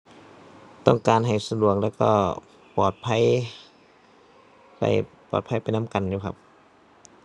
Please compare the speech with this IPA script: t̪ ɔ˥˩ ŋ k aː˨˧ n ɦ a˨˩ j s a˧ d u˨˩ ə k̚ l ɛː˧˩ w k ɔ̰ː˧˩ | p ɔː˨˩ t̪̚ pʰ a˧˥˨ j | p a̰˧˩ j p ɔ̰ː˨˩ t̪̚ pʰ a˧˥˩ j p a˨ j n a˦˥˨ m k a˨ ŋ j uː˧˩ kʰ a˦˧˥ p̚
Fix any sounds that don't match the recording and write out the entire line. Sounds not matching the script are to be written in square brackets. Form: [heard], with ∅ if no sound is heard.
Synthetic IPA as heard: t̪ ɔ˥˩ ŋ k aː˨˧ n ɦ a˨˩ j s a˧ d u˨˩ ə k̚ l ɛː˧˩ w k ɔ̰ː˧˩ | p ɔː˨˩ t̪̚ pʰ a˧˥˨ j | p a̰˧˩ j p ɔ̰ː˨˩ t̪̚ pʰ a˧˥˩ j p a˨ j n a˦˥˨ m k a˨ [n] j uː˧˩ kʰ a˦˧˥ p̚

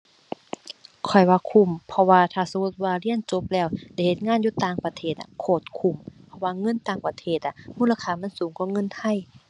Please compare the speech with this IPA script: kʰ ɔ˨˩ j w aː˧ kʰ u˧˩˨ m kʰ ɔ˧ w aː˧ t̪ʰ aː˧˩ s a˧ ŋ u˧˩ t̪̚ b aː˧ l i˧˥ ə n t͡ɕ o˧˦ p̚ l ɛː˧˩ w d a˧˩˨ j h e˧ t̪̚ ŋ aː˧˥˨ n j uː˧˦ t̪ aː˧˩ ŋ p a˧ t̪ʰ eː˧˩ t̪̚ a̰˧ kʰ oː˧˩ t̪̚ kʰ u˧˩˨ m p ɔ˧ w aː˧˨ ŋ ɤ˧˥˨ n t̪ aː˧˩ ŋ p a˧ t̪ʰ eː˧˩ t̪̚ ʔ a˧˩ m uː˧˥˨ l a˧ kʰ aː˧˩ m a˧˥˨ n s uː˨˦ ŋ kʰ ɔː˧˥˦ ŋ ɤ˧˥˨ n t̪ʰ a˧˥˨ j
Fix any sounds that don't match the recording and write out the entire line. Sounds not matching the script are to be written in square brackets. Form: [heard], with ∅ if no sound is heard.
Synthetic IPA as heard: kʰ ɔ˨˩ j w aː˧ kʰ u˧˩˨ m [pʰ] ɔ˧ w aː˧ t̪ʰ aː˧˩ s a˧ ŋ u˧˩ t̪̚ [w] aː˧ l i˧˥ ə n t͡ɕ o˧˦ p̚ l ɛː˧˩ w d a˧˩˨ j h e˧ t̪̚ ŋ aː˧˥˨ n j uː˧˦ t̪ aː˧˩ ŋ p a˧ t̪ʰ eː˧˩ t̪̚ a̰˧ kʰ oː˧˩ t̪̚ kʰ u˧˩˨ m [pʰ] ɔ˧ w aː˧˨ ŋ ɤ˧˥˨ n t̪ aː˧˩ ŋ p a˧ t̪ʰ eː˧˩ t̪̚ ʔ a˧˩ m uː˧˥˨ l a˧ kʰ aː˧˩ m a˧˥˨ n s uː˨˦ ŋ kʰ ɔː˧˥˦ ŋ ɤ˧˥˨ n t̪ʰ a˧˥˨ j

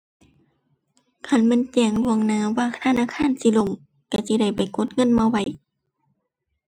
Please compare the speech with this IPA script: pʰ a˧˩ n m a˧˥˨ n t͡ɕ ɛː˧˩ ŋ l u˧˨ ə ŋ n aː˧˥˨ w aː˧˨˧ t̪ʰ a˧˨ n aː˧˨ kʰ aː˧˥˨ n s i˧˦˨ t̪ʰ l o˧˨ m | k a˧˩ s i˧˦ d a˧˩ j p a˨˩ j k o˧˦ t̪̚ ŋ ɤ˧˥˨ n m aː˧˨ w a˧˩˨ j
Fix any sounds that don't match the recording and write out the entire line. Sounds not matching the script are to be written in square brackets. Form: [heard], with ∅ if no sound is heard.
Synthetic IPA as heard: [kʰ] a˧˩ n m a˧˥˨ n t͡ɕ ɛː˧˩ ŋ l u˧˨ ə ŋ n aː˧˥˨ w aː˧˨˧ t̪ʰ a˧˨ n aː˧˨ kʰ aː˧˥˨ n s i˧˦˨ [∅] l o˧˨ m | k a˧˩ s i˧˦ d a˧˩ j p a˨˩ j k o˧˦ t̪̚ ŋ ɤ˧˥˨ n m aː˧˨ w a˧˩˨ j

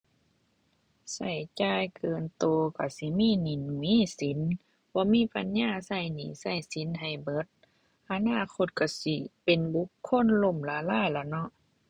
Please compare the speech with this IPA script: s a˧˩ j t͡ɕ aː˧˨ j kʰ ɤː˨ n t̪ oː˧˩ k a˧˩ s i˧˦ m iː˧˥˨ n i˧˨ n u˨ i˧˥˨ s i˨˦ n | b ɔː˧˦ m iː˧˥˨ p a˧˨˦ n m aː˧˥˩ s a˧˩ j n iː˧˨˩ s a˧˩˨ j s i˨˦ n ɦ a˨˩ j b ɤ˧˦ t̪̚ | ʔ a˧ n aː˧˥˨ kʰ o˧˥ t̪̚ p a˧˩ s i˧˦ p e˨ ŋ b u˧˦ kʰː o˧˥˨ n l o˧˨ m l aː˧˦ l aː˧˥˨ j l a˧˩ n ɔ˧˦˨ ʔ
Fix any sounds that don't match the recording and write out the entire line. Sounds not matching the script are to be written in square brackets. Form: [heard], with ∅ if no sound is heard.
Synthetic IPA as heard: s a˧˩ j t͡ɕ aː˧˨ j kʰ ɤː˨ n t̪ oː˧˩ k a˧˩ s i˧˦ m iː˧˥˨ n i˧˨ n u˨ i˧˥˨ s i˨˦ n | b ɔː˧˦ m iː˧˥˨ p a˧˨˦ n [ɲ] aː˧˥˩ s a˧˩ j n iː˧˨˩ s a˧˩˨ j s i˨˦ n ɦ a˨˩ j b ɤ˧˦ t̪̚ | ʔ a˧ n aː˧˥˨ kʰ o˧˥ t̪̚ [k] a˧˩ s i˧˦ p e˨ [n] b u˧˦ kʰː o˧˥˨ n l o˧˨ m l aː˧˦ l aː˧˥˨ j l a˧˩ n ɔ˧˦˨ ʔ

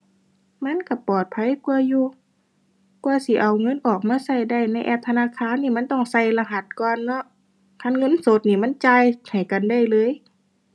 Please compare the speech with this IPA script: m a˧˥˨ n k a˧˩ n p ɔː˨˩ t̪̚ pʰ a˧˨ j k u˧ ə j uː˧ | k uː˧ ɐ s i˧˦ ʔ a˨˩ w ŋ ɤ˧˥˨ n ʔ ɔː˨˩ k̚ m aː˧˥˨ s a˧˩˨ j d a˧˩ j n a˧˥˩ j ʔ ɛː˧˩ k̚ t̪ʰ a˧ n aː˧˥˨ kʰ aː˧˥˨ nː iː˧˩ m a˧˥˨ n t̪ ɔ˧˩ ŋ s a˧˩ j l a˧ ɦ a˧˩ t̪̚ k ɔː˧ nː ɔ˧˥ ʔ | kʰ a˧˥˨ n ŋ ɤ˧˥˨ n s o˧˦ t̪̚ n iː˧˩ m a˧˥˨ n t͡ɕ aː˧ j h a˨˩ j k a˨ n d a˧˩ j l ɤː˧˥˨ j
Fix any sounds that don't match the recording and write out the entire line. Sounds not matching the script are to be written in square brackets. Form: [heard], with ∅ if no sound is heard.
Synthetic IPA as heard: m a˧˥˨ n k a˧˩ [∅] p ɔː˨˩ t̪̚ pʰ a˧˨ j k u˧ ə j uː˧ | k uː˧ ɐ s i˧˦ ʔ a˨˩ w ŋ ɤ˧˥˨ n ʔ ɔː˨˩ k̚ m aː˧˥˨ s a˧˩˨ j d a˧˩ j n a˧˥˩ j ʔ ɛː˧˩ [p̚] t̪ʰ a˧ n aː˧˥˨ kʰ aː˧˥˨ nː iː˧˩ m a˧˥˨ n t̪ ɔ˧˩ ŋ s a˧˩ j l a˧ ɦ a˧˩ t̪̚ k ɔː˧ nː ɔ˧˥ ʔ | kʰ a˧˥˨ n ŋ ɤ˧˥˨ n s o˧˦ t̪̚ n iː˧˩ m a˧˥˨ n t͡ɕ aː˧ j h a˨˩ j k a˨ n d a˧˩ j l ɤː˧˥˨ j

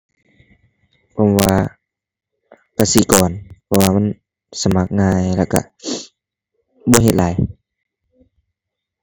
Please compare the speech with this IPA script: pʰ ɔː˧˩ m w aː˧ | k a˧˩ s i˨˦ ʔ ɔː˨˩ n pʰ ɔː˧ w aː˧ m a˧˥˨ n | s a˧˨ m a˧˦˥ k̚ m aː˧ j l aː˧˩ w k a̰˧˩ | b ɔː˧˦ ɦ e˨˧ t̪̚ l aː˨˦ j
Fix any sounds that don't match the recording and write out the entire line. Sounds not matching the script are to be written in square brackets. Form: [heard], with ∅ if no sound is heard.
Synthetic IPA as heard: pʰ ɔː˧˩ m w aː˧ | k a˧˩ s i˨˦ [k] ɔː˨˩ n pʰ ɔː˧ w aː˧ m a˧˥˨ n | s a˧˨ m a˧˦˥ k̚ [ŋ] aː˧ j l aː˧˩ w k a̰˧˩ | b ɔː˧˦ ɦ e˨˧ t̪̚ l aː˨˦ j

